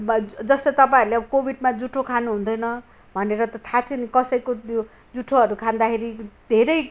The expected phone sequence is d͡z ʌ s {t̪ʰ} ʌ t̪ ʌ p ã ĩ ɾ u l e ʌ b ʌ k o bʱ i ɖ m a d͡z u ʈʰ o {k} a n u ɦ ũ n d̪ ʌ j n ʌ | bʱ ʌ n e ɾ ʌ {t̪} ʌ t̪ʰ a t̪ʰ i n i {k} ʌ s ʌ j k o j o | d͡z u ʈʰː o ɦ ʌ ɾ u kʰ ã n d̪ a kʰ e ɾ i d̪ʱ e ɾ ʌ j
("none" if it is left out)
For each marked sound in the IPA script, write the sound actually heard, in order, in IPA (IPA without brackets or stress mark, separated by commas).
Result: t̪, kʰ, t̪, k